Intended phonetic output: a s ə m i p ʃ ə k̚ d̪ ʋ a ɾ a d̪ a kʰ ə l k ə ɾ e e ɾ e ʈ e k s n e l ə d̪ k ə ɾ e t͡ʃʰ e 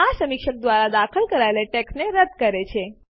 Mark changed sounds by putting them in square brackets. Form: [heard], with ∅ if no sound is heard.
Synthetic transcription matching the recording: a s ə m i [k] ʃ ə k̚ d̪ ʋ a ɾ a d̪ a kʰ ə l k ə ɾ [a] e [l] e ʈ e k s n e [ɾ] ə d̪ k ə ɾ e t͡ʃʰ e